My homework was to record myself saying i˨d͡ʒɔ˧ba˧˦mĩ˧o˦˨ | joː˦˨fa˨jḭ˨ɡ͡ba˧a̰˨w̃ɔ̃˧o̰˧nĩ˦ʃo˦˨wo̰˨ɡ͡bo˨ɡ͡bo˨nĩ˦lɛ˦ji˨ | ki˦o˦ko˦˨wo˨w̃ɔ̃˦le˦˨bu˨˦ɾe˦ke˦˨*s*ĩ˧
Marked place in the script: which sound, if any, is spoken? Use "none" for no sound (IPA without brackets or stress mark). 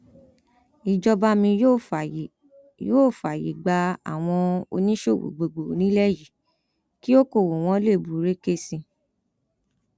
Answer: s